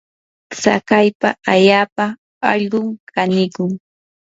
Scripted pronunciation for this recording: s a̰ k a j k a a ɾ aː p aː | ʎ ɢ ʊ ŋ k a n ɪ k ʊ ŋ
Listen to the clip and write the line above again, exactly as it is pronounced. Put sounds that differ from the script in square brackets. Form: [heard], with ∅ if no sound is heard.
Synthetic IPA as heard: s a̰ k a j [p] a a [ʎ] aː p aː | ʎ ɢ ʊ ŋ k a n ɪ k ʊ ŋ